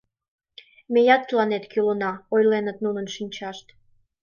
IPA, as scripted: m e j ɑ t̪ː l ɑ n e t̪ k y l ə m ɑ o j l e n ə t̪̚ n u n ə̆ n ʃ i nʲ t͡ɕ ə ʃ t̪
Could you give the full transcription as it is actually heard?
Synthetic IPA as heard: m e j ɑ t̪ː l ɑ n e t̪ k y l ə n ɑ o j l e n ə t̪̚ n u n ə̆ n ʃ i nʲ t͡ɕ ɑ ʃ t̪